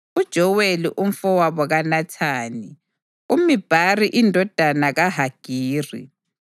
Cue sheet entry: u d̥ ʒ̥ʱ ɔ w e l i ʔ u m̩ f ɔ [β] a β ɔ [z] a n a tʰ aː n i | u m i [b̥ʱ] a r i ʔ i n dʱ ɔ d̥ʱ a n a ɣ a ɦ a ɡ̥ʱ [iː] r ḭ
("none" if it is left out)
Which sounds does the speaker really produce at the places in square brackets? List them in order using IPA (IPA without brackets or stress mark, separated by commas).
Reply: w, ɣ, b̥ʱ, iː